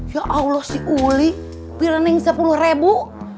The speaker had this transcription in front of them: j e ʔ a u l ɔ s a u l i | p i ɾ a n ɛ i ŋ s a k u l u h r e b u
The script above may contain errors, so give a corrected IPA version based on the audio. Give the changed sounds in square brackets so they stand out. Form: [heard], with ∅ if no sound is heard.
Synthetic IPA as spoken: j [a] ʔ a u l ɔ s [i] u l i | p i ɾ a n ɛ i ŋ s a [p] u l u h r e b u